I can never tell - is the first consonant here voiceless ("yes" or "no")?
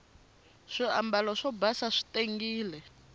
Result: yes